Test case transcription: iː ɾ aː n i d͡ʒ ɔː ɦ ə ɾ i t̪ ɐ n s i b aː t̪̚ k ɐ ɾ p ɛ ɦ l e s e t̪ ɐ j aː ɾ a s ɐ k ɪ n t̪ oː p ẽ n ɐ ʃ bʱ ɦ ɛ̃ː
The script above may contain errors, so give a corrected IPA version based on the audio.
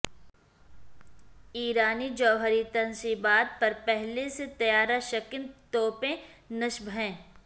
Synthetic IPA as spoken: iː ɾ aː n i d͡ʒ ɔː ɦ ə ɾ i t̪ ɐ n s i b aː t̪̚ p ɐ ɾ p ɛ ɦ l e s e t̪ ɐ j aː ɾ a ʃ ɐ k ɪ n t̪ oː p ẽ n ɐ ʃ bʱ ɦ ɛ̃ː

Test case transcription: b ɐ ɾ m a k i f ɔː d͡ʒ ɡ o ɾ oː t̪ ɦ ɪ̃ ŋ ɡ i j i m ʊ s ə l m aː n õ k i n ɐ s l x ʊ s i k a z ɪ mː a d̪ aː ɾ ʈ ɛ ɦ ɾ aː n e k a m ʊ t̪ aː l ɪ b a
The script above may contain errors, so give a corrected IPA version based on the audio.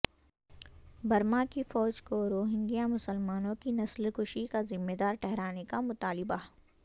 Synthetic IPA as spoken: b ɐ ɾ m a k i f ɔː d͡ʒ k o ɾ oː ɦ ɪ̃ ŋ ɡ i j a m ʊ s ə l m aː n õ k i n ɐ s l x ʊ ʃ i k a z ɪ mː e d̪ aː ɾ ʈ ɛ ɦ ɾ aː n e k a m ʊ t̪ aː l ɪ b a

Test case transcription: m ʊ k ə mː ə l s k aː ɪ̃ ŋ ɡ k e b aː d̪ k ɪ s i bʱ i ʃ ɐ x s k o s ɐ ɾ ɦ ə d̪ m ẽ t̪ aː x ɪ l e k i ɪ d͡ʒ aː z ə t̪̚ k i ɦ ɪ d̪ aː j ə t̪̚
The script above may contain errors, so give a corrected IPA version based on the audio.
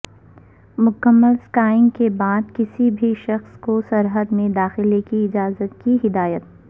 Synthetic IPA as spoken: m ʊ k ə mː ə l s k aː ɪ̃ ŋ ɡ k e b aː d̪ k ɪ s i bʱ i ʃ ɐ x s k o s ɐ ɾ ɦ ə d̪ m ẽ d̪ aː x ɪ l e k i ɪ d͡ʒ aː z ə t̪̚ k i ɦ ɪ d̪ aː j ə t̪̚

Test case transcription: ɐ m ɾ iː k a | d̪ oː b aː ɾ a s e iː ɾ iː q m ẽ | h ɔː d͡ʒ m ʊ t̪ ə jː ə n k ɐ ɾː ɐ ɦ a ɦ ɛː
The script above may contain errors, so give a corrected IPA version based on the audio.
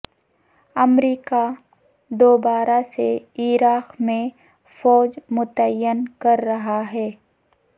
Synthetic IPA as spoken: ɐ m ɾ iː k a | d̪ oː b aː ɾ a s e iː ɾ aː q m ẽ | f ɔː d͡ʒ m ʊ t̪ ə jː ə n k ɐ ɾː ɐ ɦ a ɦ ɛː

